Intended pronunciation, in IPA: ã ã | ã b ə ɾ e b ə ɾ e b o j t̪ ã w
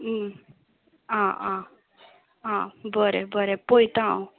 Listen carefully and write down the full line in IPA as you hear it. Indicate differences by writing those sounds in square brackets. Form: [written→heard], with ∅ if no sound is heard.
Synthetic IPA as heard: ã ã | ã b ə ɾ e b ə ɾ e [b→p] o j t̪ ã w